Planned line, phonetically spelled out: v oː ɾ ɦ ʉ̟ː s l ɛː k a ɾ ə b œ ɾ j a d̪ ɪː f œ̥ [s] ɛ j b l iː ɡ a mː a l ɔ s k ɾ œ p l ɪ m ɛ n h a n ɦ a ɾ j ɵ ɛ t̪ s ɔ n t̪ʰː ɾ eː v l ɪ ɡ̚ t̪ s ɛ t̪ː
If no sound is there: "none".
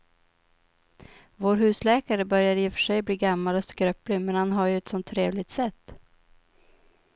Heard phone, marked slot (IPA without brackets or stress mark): ʂ